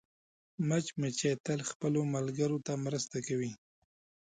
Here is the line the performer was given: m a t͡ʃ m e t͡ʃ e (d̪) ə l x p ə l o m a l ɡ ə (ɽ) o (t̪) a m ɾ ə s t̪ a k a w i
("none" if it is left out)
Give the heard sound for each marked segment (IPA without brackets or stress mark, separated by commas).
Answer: t̪, ɾ, t̪